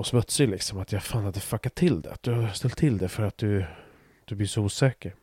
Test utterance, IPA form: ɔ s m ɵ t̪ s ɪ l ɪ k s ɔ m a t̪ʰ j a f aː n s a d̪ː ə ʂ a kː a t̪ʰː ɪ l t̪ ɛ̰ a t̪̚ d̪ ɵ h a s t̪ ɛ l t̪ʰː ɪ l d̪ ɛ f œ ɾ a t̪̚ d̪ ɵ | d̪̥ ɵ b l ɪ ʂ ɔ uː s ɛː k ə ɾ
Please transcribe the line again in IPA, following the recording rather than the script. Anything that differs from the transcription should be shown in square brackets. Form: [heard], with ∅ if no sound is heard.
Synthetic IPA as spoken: ɔ s m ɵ t̪ s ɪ l ɪ k s ɔ m a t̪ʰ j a f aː n [h] a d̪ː ə [f] a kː a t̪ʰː ɪ l [d̪] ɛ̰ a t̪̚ d̪ ɵ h a s t̪ ɛ l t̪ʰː ɪ l d̪ ɛ f œ ɾ a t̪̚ d̪ ɵ | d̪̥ ɵ b l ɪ ʂ ɔ uː s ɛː k ə ɾ